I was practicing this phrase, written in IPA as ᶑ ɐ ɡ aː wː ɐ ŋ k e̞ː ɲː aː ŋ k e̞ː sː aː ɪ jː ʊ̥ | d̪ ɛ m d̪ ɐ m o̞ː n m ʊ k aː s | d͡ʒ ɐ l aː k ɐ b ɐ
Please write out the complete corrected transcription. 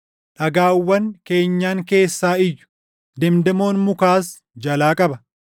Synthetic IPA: ᶑ ɐ ɡ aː wː ɐ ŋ k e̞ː ɲː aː ŋ k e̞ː sː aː ɪ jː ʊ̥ | d̪ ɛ m d̪ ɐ m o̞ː n m ʊ k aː s | d͡ʒ ɐ l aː kʼ ɐ b ɐ